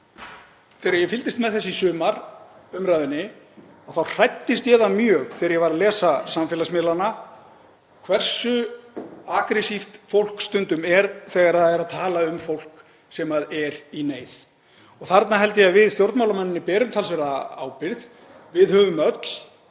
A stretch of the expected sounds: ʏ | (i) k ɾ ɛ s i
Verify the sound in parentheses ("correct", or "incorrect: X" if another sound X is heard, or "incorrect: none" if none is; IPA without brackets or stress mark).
incorrect: a